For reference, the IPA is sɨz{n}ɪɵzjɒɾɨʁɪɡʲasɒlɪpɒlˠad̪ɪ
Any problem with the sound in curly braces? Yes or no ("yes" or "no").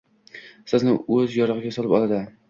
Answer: no